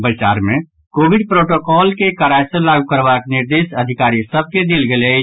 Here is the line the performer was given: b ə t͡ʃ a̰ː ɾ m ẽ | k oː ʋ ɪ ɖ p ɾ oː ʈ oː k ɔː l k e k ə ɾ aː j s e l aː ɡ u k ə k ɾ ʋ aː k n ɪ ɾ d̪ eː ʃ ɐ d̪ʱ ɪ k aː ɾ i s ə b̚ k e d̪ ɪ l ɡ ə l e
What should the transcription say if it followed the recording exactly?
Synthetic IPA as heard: b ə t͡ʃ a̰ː ɾ m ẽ | k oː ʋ ɪ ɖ p ɾ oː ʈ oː k ɔː l k e k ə ɾ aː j s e l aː ɡ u k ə ɾ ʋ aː k n ɪ ɾ d̪ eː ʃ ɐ d̪ʱ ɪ k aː ɾ i s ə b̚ k e d̪ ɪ l ɡ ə l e